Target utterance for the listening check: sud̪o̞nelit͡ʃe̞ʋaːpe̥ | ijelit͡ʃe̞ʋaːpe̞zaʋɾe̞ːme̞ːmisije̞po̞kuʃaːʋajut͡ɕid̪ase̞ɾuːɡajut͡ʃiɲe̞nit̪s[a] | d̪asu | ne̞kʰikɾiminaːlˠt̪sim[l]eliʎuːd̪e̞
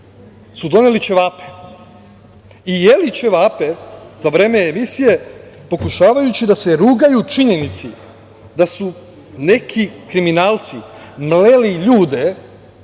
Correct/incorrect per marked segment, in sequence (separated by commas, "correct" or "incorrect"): incorrect, correct